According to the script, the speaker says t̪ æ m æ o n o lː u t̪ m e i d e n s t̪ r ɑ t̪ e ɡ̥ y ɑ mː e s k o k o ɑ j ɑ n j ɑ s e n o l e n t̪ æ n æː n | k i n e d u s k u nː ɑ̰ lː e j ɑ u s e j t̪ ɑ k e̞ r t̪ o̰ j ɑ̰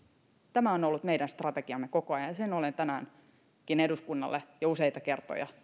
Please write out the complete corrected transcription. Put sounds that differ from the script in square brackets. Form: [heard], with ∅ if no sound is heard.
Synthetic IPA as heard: t̪ æ m æ o n o lː u t̪ m e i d [æ] n s t̪ r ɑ t̪ e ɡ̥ [i] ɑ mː e [∅] k o k o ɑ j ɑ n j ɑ s e n o l e n t̪ æ n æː n | k i n e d u s k u nː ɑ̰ lː e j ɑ u s e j t̪ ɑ k e̞ r t̪ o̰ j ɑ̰